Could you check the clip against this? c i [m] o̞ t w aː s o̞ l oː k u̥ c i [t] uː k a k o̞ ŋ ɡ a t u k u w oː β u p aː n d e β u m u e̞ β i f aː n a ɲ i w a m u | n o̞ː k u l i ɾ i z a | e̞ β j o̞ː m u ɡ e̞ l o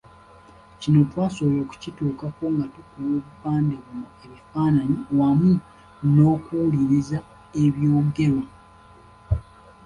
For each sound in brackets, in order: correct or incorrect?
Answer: incorrect, correct

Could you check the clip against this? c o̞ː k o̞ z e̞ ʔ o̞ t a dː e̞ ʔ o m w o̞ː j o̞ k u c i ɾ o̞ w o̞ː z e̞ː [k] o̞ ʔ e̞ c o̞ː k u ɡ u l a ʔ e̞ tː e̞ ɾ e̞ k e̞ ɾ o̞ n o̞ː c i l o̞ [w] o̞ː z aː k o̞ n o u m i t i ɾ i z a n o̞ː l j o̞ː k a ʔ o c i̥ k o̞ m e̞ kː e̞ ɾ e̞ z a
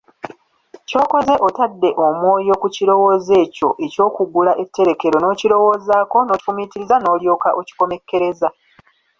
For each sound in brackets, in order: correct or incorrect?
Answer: incorrect, correct

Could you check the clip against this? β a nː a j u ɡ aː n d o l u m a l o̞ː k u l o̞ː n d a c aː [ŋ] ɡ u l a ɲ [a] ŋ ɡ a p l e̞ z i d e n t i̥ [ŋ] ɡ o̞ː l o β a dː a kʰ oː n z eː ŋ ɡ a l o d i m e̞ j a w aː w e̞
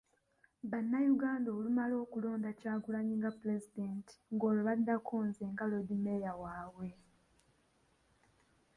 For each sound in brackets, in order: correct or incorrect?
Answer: incorrect, incorrect, correct

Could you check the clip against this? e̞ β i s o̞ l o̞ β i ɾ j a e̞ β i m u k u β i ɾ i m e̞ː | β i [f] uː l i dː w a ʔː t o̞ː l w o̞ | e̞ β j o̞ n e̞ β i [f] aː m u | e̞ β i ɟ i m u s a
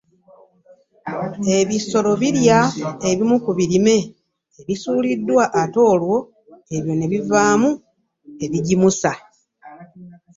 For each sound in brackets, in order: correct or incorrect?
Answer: incorrect, incorrect

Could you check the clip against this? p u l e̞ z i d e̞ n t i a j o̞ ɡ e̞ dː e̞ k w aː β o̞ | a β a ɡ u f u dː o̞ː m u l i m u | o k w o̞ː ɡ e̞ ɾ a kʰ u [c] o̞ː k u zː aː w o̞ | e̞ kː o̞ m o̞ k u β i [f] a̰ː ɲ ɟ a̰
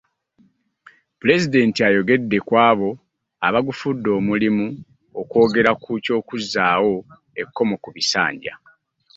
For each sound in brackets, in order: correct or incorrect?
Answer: correct, incorrect

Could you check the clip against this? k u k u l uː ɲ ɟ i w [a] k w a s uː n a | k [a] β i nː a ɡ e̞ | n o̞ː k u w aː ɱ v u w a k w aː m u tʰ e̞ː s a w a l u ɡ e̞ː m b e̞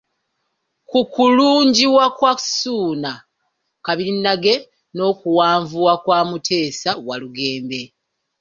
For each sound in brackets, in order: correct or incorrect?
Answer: correct, correct

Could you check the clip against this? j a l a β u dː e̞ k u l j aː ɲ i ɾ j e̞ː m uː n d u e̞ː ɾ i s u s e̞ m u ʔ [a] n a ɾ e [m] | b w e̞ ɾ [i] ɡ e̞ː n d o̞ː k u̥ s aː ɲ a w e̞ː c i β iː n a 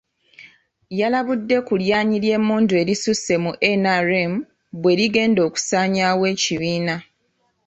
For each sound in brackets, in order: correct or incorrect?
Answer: incorrect, correct, correct

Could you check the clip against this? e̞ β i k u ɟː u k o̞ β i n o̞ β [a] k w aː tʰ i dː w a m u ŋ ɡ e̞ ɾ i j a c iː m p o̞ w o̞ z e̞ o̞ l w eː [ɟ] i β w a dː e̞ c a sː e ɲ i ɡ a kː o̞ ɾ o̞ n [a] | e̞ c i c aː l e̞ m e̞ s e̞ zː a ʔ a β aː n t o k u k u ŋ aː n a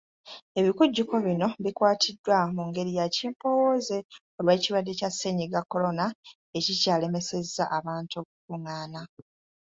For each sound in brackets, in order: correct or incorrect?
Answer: incorrect, incorrect, correct

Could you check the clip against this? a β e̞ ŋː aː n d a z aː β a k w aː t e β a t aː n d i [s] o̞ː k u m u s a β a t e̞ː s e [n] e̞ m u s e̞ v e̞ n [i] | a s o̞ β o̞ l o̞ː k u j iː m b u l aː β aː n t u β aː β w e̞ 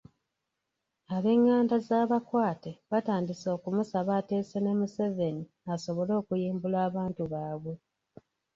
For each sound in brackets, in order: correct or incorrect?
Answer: correct, correct, correct

